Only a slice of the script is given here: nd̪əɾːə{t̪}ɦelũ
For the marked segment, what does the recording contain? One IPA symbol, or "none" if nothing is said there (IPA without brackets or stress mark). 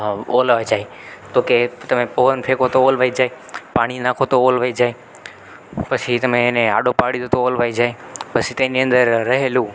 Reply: none